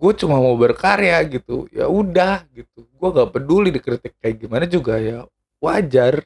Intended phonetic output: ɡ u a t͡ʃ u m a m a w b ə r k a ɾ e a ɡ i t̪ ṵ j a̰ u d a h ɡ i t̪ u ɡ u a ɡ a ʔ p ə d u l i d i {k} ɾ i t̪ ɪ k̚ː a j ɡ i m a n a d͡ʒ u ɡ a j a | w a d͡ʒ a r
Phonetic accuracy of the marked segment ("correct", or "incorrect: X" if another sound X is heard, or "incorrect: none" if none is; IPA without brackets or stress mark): correct